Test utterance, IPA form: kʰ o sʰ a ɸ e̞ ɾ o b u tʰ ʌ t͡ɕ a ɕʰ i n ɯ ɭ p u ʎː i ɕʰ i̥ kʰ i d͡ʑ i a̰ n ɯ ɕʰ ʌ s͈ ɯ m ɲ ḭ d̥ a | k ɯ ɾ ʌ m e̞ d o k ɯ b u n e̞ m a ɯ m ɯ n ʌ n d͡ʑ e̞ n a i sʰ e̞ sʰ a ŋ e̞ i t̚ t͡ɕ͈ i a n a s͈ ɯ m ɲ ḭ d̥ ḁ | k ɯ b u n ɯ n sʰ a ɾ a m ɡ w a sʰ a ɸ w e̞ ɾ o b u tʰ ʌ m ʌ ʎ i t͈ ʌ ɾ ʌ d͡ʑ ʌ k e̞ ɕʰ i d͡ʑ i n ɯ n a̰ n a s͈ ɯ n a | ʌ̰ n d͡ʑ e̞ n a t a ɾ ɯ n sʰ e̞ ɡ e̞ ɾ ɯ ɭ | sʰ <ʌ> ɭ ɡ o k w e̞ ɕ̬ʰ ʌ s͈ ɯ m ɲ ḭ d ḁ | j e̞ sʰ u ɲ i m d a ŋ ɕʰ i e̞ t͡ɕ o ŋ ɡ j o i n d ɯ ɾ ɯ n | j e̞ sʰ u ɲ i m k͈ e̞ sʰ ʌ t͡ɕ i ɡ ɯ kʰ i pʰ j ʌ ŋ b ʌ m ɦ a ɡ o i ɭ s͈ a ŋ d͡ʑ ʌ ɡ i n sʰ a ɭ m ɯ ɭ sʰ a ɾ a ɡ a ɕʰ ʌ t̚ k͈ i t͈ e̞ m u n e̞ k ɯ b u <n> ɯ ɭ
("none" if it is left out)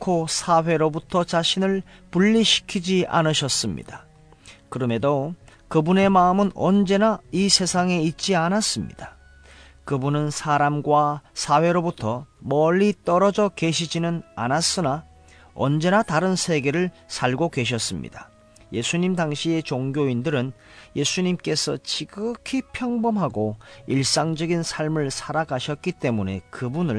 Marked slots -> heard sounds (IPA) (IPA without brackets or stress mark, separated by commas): a, n